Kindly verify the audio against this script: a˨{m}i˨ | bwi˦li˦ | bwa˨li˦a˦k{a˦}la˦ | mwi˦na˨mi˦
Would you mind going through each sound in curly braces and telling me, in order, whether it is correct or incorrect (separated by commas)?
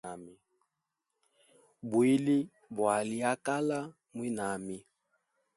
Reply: correct, correct